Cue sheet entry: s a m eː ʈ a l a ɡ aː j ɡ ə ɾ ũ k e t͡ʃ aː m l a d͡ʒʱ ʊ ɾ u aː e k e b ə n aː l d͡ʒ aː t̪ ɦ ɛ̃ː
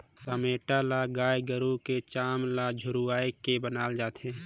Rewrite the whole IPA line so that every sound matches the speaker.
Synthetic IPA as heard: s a m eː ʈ a l a ɡ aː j ɡ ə ɾ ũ k e t͡ʃ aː m l a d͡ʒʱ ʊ ɾ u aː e k e b ə n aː l d͡ʒ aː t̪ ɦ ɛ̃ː